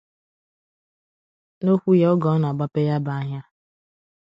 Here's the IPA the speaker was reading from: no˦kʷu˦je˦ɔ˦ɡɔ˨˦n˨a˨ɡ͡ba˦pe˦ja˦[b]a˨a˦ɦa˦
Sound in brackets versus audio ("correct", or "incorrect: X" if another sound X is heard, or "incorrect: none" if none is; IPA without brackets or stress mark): correct